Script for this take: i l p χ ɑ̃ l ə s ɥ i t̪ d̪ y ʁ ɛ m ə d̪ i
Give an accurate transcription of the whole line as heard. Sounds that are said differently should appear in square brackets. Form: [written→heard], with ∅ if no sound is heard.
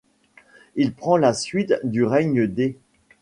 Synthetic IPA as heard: i l p χ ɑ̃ l [ə→a] s ɥ i t̪ d̪ y ʁ ɛ [m→ɲ] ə d̪ [i→e]